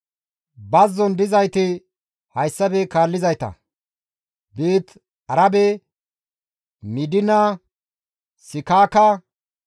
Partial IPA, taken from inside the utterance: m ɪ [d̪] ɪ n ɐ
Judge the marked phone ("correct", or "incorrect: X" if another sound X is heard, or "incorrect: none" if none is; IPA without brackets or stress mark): correct